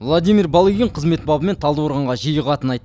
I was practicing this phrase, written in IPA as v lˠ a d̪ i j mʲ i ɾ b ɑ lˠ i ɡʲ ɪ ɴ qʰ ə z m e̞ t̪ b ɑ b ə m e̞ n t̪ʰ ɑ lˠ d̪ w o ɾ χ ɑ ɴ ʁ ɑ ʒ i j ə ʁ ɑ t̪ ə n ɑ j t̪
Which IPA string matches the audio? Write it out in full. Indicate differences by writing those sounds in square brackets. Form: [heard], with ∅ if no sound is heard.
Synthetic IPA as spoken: v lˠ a d̪ i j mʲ i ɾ b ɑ lˠ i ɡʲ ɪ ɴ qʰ ə z m e̞ t̪ b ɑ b ə m e̞ n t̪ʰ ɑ lˠ d̪ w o ɾ [ʁ] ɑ ɴ ʁ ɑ ʒ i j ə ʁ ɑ t̪ ə n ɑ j t̪